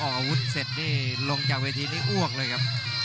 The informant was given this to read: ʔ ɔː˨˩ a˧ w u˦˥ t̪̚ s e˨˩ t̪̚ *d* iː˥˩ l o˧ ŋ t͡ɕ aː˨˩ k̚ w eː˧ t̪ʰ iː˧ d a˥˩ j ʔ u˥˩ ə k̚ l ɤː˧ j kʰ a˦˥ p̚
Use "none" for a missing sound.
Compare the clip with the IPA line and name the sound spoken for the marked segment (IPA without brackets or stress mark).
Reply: n